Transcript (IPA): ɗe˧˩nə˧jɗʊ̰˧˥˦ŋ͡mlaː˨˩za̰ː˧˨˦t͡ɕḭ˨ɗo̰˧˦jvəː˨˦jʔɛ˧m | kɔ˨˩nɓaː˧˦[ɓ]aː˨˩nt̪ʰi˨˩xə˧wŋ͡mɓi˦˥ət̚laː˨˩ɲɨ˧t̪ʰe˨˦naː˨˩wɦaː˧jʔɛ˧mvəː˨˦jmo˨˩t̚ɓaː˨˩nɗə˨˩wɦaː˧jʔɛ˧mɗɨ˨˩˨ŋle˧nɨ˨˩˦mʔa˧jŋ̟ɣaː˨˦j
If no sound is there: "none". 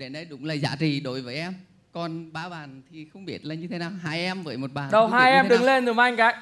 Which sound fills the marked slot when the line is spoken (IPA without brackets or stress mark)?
ɓ